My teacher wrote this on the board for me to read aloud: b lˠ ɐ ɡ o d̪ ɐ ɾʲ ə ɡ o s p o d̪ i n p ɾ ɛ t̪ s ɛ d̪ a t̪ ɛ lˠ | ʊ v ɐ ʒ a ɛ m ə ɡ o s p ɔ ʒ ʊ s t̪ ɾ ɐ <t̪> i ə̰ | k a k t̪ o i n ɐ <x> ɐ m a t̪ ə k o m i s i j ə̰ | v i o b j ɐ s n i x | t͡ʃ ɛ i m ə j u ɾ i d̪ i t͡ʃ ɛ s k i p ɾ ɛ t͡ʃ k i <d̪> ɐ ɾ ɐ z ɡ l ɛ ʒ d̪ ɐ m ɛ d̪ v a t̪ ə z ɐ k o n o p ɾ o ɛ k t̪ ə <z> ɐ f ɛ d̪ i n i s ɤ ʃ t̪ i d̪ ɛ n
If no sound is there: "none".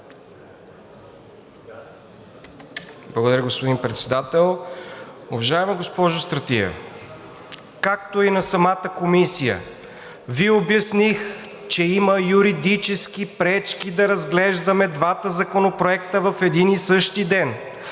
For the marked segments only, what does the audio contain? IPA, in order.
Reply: t̪, s, d̪, v

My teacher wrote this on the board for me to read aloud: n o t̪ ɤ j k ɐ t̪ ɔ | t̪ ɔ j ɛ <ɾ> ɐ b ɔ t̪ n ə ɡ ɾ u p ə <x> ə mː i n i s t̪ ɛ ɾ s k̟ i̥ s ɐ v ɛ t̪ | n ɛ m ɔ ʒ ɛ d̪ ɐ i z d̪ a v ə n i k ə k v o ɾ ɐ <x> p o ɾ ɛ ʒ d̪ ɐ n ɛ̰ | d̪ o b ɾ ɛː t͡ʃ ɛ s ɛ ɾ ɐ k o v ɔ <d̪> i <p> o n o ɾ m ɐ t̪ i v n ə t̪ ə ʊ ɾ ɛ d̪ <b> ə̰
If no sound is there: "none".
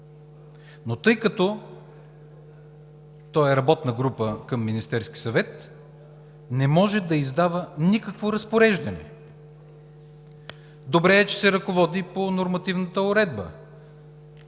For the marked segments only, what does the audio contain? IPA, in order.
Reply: ɾ, k, s, d̪, p, b

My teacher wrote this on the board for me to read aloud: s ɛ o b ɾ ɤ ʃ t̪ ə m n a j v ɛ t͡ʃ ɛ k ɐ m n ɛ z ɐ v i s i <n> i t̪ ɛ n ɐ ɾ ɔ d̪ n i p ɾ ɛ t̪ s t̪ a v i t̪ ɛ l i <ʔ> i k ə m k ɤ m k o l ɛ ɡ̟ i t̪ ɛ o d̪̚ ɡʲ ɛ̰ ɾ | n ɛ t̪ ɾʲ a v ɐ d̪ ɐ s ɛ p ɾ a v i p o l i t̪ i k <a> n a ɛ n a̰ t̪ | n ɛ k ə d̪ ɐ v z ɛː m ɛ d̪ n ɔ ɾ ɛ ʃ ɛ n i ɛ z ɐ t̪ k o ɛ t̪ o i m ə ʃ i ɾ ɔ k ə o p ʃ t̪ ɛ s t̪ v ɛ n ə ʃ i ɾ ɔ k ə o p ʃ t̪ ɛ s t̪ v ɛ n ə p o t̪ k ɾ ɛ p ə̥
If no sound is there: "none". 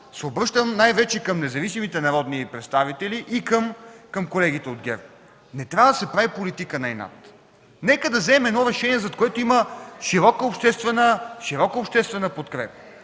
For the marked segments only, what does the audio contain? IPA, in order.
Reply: m, ʔ, ə

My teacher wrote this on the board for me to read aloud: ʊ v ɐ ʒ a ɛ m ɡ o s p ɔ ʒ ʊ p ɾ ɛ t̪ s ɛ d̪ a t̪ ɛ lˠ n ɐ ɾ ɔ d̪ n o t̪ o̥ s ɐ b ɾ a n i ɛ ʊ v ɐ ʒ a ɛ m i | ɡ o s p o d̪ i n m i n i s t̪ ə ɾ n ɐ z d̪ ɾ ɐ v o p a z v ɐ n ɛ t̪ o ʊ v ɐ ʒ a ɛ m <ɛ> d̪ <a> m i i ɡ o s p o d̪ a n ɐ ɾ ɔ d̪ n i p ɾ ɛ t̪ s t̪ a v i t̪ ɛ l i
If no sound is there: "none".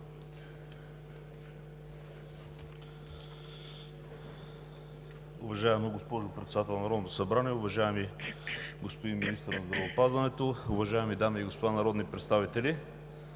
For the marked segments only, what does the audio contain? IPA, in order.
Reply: i, a

